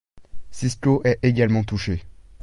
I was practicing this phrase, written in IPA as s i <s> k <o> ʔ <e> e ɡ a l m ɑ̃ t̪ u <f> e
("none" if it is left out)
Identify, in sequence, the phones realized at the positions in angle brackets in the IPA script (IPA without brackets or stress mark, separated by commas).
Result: s, o, ɛ, ʃ